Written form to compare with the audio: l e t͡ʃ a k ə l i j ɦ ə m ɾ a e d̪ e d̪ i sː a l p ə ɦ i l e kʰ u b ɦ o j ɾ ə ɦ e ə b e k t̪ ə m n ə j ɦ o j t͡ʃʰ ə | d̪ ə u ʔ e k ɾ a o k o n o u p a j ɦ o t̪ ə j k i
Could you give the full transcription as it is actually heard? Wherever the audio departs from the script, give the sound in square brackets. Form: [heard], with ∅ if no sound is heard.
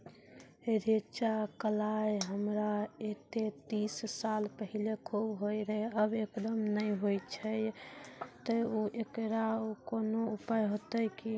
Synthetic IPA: [ɾ] e t͡ʃ a k ə l [a] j ɦ ə m ɾ a e [t̪] e [t̪] i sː a l p ə ɦ i l e kʰ u b ɦ o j ɾ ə ɦ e ə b e k [d̪] ə m n ə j ɦ o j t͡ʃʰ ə | [t̪] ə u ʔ e k ɾ a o k o n o u p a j ɦ o t̪ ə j k i